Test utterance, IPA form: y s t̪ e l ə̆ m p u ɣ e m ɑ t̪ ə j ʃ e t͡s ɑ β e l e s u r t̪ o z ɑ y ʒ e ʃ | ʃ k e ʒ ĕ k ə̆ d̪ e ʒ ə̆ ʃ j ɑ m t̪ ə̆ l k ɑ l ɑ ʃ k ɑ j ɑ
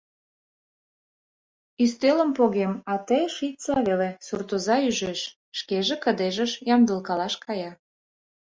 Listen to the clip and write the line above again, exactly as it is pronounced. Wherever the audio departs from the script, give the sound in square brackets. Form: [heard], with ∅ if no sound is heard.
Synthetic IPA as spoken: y s t̪ e l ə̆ m p [o] ɣ e m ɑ t̪ ə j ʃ [i] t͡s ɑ β e l e s u r t̪ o z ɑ y ʒ e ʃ | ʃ k e ʒ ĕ k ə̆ d̪ e ʒ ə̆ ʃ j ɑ m [d̪] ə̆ l k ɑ l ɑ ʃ k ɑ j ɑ

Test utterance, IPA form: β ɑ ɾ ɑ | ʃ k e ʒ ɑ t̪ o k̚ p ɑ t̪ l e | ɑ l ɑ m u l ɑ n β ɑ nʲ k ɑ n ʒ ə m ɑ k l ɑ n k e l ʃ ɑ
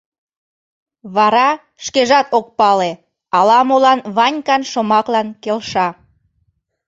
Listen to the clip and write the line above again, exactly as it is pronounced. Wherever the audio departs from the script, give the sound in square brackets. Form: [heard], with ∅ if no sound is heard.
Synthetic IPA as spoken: β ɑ ɾ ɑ | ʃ k e ʒ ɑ t̪ o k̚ p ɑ [∅] l e | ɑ l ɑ m [o] l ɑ n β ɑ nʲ k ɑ n [ʃ] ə m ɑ k l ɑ n k e l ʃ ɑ

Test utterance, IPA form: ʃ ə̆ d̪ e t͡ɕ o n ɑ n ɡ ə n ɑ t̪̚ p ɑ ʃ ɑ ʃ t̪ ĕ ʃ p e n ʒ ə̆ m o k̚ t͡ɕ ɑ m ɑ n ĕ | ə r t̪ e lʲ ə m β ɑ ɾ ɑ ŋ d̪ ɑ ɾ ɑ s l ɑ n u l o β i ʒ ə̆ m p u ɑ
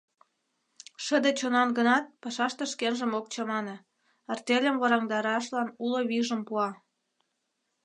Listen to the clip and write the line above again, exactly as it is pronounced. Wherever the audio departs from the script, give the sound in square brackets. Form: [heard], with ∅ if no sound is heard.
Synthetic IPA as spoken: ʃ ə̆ d̪ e t͡ɕ o n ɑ n ɡ ə n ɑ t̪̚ p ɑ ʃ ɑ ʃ t̪ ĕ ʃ [k] e n ʒ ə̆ m o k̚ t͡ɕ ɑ m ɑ n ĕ | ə r t̪ e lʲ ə m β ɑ ɾ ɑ ŋ d̪ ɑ ɾ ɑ [ʃ] l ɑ n u l o β i ʒ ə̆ m p u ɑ

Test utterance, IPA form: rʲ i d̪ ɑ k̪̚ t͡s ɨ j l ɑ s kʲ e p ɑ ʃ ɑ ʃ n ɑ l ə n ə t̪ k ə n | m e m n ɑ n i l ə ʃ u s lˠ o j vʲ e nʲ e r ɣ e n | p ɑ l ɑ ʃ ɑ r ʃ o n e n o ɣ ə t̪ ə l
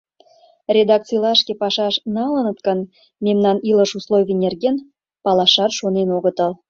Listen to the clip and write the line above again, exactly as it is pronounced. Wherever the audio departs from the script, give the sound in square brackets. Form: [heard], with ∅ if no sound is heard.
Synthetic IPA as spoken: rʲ [e] d̪ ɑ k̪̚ t͡s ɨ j l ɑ [ʃ] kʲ e p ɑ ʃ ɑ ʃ n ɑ l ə n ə t̪ k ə n | m e m n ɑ n i l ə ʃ u s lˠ o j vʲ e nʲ e r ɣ e n | p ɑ l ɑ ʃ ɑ r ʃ o n e n o ɣ ə t̪ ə l

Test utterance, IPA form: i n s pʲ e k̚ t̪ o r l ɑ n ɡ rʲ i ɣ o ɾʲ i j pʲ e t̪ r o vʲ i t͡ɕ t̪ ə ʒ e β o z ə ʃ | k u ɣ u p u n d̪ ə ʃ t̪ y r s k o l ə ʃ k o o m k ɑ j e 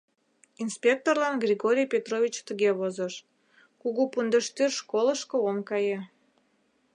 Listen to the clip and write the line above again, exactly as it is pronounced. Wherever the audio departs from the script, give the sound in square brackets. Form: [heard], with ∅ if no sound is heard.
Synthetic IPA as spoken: i n s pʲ e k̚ t̪ o r l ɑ n ɡ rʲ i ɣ o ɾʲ i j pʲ e t̪ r o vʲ i t͡ɕ t̪ ə [ɣ] e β o z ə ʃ | k u ɣ u p u n d̪ ə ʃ t̪ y r [ʃ] k o l ə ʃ k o o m k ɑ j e

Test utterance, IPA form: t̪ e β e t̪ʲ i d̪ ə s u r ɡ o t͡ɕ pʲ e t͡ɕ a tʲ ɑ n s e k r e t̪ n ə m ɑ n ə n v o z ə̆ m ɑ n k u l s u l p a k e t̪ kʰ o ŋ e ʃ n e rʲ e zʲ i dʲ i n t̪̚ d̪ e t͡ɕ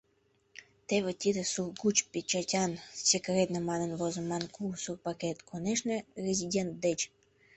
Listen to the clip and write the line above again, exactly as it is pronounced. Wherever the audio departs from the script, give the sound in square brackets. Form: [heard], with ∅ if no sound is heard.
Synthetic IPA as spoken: t̪ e β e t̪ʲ i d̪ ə s u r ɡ [u] t͡ɕ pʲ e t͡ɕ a tʲ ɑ n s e k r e t̪ n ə m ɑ n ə n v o z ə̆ m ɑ n k u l s u [r] p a k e t̪ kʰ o [n] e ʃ n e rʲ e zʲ i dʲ [e] n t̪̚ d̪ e t͡ɕ

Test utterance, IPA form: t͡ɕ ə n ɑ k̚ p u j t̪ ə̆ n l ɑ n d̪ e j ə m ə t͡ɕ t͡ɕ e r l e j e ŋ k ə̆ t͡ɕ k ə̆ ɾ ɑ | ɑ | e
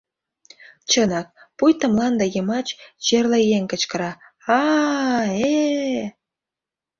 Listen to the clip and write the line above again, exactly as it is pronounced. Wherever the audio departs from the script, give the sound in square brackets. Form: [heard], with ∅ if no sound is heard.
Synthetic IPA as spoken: t͡ɕ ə n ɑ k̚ p u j t̪ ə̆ [m] l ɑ n d̪ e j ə m [ɑ] t͡ɕ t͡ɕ e r l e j e ŋ k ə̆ t͡ɕ k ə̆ ɾ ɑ | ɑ | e

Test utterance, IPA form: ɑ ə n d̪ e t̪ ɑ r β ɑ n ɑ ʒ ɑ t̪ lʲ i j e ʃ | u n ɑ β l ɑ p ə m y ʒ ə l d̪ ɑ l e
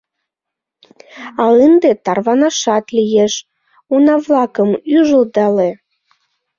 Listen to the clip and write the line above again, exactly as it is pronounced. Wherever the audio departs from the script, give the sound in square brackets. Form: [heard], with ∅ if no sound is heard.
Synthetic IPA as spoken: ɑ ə n d̪ e t̪ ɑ r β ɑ n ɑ [ʃ] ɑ t̪ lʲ i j e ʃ | u n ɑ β l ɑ [k] ə m y ʒ ə l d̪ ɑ l e

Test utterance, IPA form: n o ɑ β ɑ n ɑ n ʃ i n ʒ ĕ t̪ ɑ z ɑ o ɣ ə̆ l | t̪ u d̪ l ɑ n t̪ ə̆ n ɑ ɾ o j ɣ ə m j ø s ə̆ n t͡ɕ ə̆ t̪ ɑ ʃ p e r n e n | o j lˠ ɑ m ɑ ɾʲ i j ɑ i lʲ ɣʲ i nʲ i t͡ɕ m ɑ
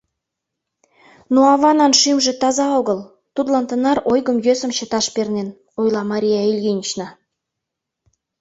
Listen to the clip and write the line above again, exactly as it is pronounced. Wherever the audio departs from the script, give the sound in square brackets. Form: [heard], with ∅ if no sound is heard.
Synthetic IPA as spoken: n o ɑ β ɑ n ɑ n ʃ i [m] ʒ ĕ t̪ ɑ z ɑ o ɣ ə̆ l | t̪ u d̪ l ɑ n t̪ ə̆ n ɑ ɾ o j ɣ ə m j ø s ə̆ [m] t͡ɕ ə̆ t̪ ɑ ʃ p e r n e n | o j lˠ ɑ m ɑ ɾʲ i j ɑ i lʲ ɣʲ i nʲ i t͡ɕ [n] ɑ

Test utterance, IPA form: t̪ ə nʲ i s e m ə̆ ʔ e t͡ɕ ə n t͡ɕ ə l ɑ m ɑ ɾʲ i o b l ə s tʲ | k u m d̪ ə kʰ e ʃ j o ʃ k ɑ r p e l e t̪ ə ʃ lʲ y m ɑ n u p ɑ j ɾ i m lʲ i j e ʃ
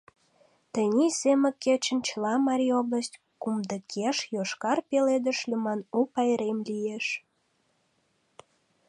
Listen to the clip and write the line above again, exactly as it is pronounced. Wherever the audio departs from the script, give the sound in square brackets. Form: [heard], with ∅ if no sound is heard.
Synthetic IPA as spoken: t̪ ə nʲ i s e m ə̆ [k] e t͡ɕ ə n t͡ɕ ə l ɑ m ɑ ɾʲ i o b l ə s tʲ | k u m d̪ ə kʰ e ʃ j o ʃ k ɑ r p e l e [d̪] ə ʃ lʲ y m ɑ n u p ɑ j ɾ [e] m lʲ i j e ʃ

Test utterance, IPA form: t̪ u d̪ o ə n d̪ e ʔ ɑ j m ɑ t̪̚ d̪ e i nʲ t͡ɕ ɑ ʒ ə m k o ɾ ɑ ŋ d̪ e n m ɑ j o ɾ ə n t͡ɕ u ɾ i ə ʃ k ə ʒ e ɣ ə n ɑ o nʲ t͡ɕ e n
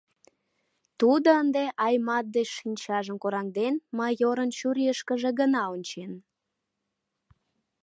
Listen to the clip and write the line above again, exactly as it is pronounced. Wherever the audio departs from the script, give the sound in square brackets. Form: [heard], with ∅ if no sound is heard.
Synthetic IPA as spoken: t̪ u d̪ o ə n d̪ e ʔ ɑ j m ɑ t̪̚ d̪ e i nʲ t͡ɕ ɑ ʒ ə m k o ɾ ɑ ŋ d̪ e n m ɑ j o ɾ ə n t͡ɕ u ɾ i ə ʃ k ə ʒ e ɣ ə n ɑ o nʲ t͡ɕ e n

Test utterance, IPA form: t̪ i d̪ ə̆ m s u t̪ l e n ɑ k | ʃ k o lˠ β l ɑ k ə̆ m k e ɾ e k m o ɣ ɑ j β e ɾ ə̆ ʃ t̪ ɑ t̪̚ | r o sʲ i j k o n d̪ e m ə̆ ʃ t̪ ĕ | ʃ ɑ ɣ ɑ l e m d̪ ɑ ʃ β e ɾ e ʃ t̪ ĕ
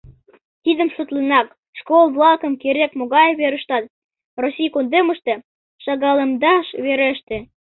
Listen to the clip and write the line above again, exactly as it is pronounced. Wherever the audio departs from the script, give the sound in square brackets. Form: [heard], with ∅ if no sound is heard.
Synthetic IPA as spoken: t̪ i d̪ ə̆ m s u t̪ l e n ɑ k | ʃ k o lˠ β l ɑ k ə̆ m k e ɾ e k m o ɣ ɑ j β e ɾ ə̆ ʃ t̪ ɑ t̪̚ | r o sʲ i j k o n d̪ e m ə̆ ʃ t̪ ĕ | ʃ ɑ ɣ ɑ l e m d̪ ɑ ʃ β e ɾ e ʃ t̪ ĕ

